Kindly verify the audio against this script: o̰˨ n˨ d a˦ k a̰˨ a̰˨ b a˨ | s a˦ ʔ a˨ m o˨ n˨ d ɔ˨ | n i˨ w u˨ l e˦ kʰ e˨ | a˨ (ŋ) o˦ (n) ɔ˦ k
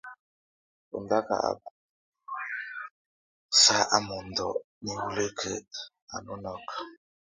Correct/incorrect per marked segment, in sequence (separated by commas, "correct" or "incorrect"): incorrect, correct